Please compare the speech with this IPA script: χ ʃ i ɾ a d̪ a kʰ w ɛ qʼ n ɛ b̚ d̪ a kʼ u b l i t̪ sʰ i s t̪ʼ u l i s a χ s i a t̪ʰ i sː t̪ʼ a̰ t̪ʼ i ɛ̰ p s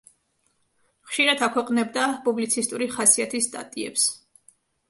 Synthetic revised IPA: χ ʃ i ɾ a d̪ a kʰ w ɛ qʼ n ɛ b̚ d̪ a pʼ u b l i t̪ sʰ i s t̪ʼ u ɾ i χ a s i a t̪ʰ i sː t̪ʼ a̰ t̪ʼ i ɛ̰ p s